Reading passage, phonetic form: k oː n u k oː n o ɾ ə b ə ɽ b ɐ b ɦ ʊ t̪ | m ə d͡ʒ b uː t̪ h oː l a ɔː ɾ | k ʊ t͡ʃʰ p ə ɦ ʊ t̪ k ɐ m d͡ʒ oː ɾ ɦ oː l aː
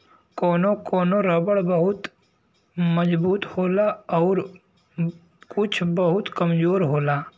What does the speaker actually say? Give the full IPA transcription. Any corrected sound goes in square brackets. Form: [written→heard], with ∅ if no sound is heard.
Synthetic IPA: k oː n [u→o] k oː n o ɾ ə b ə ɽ b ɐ [b→∅] ɦ ʊ t̪ | m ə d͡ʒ b uː t̪ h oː l a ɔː ɾ | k ʊ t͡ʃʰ [p→b] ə ɦ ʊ t̪ k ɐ m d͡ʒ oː ɾ ɦ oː l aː